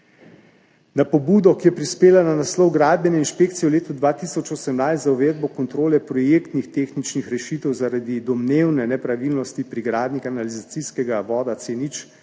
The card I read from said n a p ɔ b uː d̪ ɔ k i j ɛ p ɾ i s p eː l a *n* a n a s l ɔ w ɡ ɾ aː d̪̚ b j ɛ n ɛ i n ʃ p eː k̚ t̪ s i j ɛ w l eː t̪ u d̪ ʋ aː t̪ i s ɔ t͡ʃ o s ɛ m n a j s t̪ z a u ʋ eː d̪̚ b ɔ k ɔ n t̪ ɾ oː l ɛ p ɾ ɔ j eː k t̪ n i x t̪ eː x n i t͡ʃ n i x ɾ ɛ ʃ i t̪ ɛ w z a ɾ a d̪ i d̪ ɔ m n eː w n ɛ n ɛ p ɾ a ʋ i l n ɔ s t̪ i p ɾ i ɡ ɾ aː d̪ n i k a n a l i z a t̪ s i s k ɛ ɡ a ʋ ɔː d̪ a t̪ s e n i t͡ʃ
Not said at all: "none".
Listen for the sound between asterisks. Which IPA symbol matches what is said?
n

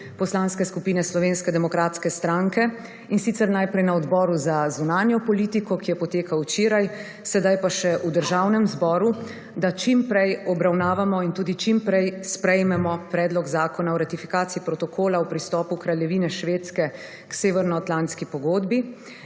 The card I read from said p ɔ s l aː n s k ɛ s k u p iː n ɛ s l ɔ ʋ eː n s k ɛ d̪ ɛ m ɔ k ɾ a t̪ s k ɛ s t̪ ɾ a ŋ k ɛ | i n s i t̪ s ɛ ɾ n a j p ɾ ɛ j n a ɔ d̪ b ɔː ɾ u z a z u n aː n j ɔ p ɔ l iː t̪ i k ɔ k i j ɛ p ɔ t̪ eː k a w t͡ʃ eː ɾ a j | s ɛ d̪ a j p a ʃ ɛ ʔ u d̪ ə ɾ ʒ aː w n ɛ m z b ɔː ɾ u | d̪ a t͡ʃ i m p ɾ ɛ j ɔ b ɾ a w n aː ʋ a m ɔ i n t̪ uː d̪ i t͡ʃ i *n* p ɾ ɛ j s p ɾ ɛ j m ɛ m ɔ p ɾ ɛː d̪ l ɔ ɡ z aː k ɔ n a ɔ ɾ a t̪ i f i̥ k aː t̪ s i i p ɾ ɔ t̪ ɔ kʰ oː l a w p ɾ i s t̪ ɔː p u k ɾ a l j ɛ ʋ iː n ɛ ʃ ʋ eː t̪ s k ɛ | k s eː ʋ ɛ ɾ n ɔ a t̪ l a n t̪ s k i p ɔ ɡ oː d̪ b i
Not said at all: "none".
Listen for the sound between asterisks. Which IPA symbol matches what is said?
m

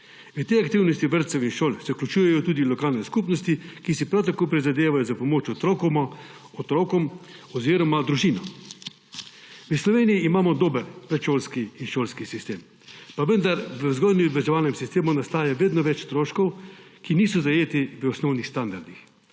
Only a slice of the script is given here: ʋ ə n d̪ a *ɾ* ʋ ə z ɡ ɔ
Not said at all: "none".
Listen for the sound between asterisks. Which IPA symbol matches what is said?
ɾ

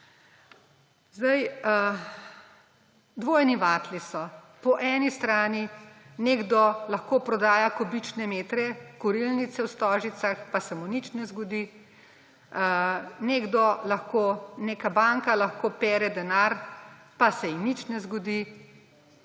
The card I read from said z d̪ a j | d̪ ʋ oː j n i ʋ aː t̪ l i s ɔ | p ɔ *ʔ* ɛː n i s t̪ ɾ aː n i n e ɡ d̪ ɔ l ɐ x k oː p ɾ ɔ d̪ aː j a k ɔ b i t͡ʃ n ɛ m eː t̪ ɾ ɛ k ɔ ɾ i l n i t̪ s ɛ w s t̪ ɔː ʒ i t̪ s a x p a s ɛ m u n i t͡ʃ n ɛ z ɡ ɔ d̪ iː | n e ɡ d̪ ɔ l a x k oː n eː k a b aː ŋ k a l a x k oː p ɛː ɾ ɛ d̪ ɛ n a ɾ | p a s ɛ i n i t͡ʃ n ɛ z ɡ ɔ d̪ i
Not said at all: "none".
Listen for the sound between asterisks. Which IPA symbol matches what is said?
ʔ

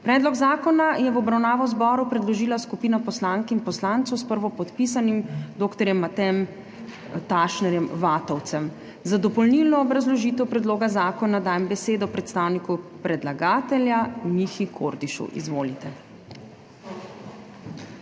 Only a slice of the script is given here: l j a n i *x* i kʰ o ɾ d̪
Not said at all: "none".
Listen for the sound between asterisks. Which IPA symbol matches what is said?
x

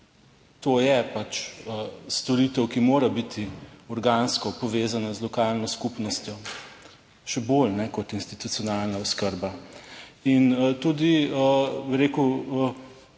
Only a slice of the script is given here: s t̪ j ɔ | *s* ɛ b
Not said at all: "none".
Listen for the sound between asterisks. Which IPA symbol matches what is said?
ʃ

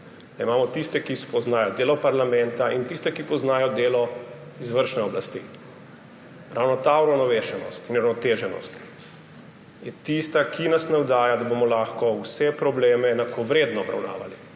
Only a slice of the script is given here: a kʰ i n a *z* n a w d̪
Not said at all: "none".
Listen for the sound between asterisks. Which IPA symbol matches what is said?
s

